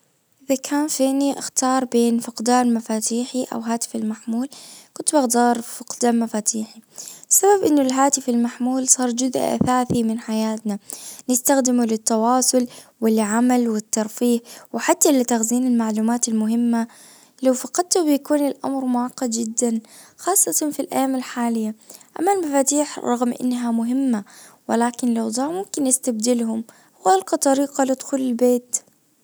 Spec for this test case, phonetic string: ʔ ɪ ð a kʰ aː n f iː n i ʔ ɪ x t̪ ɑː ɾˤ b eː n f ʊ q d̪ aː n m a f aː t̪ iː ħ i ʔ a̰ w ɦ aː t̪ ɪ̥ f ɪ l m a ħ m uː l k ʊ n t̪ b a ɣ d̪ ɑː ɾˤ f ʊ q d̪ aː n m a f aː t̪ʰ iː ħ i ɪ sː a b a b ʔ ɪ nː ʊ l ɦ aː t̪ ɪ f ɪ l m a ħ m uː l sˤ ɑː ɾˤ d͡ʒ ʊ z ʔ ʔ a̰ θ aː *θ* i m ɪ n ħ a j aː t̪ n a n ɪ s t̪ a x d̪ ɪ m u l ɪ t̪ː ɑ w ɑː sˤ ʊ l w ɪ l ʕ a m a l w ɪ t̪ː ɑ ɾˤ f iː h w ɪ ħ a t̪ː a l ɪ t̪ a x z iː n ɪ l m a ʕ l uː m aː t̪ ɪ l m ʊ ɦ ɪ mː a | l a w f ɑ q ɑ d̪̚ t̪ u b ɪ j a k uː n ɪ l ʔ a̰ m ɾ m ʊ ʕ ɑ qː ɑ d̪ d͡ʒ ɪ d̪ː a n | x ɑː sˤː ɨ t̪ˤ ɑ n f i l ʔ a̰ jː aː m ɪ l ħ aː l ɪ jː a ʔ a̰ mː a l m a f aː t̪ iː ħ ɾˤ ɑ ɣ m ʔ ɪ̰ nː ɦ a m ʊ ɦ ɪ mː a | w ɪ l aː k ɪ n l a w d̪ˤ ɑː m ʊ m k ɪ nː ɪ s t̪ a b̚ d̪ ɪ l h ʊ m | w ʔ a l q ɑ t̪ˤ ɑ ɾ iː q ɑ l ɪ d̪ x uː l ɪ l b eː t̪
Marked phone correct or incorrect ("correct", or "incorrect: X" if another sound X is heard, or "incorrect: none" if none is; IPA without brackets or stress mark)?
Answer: correct